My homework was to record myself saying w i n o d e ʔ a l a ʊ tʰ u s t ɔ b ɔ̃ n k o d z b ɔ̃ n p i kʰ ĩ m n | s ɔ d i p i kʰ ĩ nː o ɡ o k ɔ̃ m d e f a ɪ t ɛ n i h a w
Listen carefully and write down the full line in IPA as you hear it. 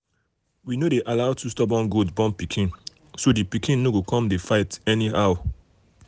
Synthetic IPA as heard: w i n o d e ʔ a l a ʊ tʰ u s t ɔ b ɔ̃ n ɡ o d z b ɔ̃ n p i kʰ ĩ n | s o d i p i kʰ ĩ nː o ɡ o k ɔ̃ m d e f a ɪ t ɛ n i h a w

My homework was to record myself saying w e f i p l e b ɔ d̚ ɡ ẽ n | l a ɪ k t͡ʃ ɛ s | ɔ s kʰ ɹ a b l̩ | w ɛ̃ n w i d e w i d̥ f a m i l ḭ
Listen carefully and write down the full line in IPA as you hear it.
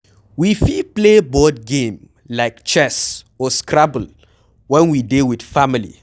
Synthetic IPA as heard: w i f i p l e b ɔ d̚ ɡ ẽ m | l a ɪ k t͡ʃ ɛ s | ɔ s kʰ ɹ a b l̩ | w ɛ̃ n w i d e w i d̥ f a m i l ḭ

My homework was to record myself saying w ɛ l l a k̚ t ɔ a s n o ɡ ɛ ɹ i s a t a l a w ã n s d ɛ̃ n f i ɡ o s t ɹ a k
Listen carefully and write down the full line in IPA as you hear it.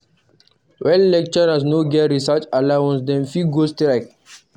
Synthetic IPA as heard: w ɛ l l ɛ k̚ t͡ʃ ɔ a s n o ɡ ɛ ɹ i s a t͡ʃ a l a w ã n s d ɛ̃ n f i ɡ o s t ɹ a k

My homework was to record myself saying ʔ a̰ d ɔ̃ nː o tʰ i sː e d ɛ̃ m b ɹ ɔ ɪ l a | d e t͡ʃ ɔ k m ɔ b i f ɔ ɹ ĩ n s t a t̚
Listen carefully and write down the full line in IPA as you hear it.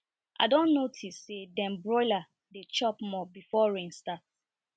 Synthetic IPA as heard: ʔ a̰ d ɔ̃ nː o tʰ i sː e d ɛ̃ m b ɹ ɔ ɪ l a | d e t͡ʃ ɔ p m ɔ b i f ɔ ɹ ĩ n s t a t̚

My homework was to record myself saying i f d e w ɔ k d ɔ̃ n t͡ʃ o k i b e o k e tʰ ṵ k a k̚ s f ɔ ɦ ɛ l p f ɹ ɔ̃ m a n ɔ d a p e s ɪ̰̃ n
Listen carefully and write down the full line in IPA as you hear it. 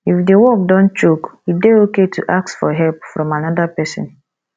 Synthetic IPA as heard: i f d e w ɔ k d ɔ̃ n t͡ʃ o k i d e o k e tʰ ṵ ʔ a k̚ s f ɔ ɦ ɛ l p f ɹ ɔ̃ m a n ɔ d a p ɛ s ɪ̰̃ n

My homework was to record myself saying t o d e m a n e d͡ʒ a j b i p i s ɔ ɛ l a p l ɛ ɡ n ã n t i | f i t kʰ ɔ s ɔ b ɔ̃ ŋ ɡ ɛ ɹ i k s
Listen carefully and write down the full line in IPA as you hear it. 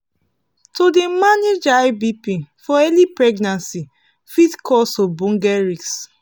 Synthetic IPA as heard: t o d e m a n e d͡ʒ a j b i p i f ɔ ɛ l i p ɹ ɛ ɡ n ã n s i | f i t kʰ ɔ s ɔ b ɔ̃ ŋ ɡ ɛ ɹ i k s

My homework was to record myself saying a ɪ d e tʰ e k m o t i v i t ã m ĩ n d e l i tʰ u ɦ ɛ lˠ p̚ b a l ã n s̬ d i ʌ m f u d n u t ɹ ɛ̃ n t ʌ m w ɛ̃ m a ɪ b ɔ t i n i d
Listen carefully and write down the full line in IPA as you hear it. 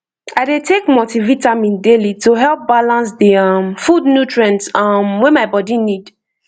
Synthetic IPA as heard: a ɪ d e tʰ e k m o t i v i t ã m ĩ n d e l i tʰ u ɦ ɛ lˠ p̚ b a l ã n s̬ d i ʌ m f u d n u t ɹ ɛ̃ n t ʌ m w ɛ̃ m a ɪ b ɔ d i n i d

